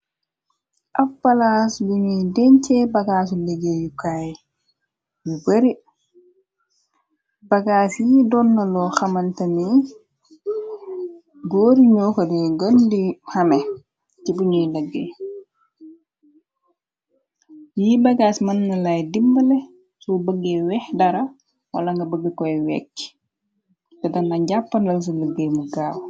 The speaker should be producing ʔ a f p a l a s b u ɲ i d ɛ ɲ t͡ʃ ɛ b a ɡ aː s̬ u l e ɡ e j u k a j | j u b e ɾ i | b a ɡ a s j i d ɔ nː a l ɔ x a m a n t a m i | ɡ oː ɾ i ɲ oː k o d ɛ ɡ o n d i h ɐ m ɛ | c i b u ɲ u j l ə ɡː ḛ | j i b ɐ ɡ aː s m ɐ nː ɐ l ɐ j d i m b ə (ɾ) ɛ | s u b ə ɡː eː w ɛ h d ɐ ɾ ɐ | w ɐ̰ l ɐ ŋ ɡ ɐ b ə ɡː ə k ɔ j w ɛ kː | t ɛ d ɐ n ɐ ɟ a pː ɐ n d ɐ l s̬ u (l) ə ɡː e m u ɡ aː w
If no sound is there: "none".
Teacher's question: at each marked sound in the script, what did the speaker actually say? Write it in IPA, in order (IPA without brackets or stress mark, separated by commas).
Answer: l, l